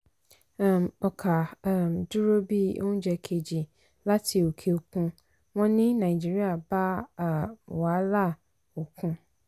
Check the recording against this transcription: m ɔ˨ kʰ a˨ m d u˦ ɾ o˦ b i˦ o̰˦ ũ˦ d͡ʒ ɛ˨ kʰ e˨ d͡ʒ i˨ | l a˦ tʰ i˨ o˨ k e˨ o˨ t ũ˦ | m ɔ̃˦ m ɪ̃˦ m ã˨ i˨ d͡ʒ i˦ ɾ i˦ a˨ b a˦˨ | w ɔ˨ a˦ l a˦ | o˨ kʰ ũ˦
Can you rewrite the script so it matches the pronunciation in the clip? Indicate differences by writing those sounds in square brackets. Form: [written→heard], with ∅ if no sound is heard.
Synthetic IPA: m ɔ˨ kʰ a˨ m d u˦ ɾ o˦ b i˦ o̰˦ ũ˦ d͡ʒ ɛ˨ kʰ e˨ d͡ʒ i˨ | l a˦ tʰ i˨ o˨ [k→kʰ] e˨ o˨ [t→k] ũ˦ | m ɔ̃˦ [m→n] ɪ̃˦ [m→n] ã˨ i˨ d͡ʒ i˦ ɾ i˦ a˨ b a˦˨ | w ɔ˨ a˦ l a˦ | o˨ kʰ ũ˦